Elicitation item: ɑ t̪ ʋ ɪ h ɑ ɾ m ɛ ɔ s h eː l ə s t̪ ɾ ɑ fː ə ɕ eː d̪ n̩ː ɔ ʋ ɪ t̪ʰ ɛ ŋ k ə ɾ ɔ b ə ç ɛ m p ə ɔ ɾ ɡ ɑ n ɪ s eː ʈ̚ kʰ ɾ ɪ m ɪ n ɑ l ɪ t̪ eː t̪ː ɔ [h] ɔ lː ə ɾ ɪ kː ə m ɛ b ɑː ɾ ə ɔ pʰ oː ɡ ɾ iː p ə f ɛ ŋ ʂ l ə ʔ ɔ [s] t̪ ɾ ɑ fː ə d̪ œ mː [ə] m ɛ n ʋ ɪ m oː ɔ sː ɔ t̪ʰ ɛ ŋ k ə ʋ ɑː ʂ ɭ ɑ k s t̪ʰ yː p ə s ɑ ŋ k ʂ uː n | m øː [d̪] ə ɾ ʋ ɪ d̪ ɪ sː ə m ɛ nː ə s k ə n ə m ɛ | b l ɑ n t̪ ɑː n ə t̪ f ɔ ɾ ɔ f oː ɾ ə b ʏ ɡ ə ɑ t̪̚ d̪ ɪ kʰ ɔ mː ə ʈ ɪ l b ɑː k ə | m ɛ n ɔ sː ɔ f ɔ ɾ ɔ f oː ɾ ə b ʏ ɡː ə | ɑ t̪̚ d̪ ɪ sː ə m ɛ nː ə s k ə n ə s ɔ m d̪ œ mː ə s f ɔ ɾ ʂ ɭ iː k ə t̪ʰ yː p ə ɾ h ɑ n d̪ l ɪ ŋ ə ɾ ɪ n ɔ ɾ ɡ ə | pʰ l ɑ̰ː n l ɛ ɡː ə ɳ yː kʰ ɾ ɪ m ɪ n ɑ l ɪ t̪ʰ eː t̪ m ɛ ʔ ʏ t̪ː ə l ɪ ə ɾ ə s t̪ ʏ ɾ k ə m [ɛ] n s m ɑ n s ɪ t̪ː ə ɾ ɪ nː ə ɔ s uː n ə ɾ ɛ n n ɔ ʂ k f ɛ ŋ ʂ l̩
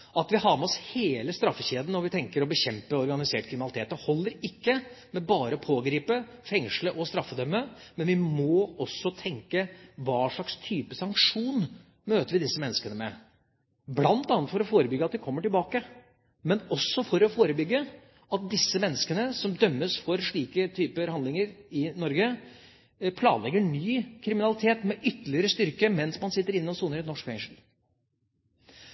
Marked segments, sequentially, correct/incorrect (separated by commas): correct, correct, correct, incorrect, correct